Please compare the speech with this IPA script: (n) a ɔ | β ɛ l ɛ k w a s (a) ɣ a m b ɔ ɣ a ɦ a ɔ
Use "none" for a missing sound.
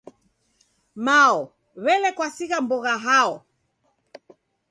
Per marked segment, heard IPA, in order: m, i

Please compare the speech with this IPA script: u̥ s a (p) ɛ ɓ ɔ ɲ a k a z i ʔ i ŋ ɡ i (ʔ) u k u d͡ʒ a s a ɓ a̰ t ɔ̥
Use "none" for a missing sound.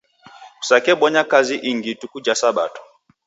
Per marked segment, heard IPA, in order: k, t

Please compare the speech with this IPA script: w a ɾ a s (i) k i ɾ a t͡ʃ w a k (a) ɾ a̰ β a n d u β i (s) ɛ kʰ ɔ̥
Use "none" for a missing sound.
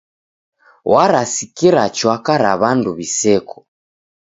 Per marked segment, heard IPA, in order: i, a, s

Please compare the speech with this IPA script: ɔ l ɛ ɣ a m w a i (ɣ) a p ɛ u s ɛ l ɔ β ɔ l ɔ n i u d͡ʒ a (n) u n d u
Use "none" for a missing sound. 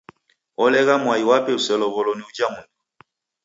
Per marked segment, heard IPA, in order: w, m

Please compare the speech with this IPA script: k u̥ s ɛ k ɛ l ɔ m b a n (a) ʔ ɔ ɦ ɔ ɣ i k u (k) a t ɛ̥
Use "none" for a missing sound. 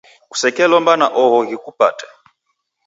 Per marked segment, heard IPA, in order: a, p

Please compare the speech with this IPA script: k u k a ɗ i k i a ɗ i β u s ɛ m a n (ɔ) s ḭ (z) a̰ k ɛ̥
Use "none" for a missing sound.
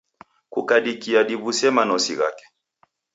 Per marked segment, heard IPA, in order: ɔ, ɣ

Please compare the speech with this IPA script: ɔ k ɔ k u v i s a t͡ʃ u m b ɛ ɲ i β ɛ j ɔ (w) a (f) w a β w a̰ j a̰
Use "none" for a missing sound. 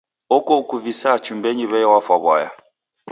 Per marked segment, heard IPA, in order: w, f

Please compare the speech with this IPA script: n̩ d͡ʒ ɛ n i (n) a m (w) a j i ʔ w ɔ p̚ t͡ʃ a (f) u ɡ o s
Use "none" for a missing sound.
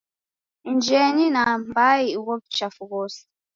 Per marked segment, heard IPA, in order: n, b, f

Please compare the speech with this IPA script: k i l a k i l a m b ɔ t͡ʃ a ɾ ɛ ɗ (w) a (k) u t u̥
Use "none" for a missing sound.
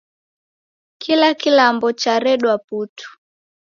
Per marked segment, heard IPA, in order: w, p

